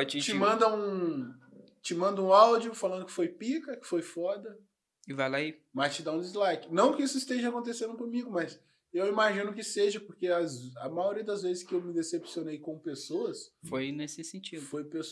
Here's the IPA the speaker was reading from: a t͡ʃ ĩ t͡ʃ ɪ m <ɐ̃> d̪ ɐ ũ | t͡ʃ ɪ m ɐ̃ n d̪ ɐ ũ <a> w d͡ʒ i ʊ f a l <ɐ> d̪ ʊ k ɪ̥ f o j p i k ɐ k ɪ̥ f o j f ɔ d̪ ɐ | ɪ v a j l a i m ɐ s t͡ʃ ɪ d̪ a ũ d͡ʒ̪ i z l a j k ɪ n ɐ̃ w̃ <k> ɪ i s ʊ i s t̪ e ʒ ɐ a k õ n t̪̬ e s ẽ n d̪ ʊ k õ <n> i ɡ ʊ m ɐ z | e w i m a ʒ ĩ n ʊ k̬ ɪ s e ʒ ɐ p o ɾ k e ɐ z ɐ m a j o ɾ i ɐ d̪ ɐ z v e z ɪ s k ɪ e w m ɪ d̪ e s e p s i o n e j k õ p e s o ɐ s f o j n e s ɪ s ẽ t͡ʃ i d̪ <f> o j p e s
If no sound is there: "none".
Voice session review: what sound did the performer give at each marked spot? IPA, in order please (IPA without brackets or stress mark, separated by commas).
ɐ̃, a, ɐ̃, k, m, f